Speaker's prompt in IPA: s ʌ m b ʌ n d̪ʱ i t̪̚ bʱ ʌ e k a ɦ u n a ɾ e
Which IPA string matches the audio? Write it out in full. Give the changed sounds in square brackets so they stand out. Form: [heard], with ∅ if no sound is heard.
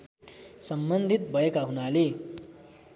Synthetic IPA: s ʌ m b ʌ n d̪ʱ i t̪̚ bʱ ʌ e k a ɦ u n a [l] e